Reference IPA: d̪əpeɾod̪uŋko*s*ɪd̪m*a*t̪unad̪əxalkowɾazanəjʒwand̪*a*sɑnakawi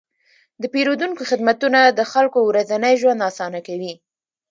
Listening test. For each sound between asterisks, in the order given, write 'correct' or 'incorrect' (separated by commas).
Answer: incorrect, correct, incorrect